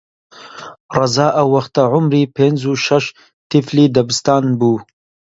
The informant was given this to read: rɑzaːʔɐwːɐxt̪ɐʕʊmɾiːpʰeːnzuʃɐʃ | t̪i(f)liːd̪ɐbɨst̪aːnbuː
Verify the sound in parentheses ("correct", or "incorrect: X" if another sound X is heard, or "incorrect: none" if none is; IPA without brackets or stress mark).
correct